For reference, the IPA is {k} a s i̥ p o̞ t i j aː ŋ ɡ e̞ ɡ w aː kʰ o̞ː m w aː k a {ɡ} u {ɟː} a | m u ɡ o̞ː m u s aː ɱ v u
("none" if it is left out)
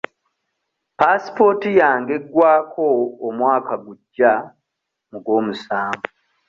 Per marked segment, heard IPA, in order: p, ɡ, ɟː

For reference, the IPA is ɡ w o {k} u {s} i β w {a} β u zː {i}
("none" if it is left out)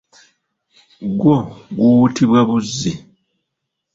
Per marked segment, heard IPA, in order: ɡ, t, a, i

